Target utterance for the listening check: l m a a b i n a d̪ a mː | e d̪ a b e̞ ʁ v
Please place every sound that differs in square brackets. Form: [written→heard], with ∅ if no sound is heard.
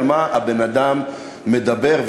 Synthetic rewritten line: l m a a b [i→e] n a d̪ a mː | e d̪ a b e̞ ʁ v